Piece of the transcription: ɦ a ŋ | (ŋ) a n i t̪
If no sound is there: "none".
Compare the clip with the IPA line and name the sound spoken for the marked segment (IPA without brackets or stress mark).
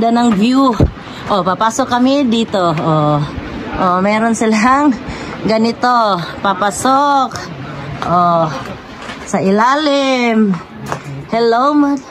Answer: ɡ